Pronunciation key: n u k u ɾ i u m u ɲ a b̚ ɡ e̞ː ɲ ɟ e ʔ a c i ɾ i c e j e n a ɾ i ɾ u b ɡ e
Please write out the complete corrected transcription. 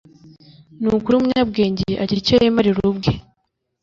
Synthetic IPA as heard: n u k u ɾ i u m u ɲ a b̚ ɡ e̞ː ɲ ɟ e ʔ a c i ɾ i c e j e m a ɾ i ɾ u b ɡ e